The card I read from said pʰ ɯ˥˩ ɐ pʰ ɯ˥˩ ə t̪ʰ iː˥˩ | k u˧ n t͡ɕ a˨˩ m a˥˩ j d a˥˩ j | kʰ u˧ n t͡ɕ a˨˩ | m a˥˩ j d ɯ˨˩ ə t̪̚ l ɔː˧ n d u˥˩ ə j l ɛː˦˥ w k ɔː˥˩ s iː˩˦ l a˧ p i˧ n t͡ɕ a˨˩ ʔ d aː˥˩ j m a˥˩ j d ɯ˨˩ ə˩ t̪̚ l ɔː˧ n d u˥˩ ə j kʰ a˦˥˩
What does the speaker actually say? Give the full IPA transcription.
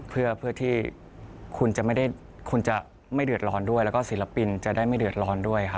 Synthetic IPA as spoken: pʰ ɯ˥˩ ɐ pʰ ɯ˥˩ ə t̪ʰ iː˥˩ | kʰ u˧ n t͡ɕ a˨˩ m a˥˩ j d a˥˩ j | kʰ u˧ n t͡ɕ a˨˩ | m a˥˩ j d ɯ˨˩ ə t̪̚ l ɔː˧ n d u˥˩ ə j l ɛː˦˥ w k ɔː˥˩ s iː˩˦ l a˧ p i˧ n t͡ɕ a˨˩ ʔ d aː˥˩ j m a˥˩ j d ɯ˨˩ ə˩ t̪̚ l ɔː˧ n d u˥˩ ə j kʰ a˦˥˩